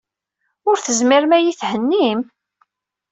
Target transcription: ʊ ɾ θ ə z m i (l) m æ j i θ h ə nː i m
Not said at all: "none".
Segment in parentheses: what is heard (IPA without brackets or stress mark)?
ɾ